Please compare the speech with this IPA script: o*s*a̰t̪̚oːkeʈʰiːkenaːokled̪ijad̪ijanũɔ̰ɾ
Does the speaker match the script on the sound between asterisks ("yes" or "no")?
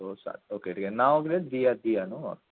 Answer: yes